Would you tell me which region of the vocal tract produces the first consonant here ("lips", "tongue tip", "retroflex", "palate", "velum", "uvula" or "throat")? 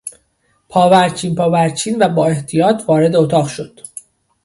lips